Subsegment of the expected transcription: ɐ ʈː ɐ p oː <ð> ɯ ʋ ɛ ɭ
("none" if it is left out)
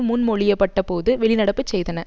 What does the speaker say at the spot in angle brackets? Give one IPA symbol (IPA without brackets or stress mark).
ð